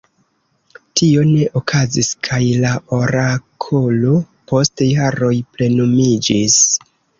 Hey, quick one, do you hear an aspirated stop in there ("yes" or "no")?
yes